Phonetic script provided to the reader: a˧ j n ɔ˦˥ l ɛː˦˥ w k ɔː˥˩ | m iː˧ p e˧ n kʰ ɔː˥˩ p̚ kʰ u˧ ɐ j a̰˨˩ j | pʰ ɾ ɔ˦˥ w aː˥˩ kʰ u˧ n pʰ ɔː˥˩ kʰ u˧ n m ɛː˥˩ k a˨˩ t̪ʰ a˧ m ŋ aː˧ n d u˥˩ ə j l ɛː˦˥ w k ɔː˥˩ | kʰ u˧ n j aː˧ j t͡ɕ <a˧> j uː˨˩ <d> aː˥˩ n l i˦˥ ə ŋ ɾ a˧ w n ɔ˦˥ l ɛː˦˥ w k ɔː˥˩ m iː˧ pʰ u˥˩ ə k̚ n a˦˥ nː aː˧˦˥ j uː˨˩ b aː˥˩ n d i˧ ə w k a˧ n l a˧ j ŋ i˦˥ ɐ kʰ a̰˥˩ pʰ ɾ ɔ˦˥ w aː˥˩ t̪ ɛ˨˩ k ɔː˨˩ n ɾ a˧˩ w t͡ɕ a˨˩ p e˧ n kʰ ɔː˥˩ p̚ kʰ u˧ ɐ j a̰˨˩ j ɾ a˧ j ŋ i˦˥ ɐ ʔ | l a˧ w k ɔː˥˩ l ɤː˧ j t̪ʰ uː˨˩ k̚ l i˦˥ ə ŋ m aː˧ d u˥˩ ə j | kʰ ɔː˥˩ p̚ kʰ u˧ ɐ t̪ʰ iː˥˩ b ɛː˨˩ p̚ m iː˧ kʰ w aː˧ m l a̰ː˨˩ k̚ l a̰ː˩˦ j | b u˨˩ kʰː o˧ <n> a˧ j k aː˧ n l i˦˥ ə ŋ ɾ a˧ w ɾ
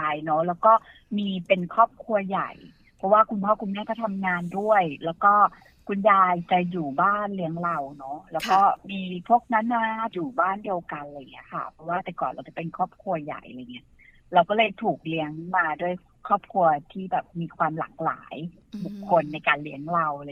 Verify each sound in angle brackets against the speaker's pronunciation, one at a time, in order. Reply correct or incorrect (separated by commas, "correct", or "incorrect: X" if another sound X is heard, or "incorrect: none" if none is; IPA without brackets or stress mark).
incorrect: a˨˩, incorrect: b, incorrect: nː